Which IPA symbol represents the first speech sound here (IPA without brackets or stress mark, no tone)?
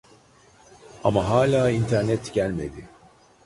a